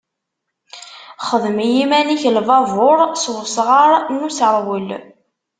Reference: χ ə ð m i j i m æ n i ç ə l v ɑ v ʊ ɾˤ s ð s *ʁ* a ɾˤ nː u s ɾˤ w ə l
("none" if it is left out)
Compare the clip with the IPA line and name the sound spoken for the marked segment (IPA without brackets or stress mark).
ʁ